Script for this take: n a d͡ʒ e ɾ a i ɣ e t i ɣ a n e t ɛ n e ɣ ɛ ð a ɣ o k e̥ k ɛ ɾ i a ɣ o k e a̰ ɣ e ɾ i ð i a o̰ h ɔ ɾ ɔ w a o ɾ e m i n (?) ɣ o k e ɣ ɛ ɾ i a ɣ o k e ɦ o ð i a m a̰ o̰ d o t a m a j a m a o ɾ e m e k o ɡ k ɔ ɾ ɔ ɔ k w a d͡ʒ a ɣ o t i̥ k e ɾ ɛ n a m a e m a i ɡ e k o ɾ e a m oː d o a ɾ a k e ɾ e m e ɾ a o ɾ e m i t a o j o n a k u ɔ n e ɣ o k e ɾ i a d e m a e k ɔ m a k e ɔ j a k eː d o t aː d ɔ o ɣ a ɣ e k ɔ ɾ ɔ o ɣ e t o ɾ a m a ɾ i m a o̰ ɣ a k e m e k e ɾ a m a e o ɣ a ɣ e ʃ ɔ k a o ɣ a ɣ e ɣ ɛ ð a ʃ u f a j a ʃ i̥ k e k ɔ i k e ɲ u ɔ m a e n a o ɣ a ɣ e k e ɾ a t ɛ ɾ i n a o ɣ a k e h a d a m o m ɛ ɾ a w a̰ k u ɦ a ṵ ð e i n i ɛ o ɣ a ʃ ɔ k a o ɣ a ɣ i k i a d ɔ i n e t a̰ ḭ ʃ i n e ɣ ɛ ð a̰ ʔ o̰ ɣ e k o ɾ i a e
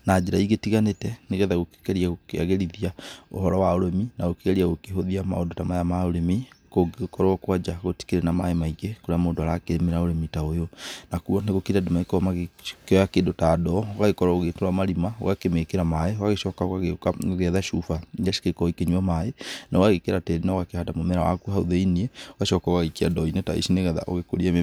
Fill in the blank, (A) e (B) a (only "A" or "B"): B